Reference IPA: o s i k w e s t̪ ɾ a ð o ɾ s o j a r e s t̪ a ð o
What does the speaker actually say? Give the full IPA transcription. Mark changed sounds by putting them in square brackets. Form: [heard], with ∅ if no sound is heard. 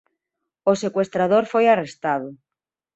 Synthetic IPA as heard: o s [e] k w e s t̪ ɾ a ð o ɾ [f] o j a r e s t̪ a ð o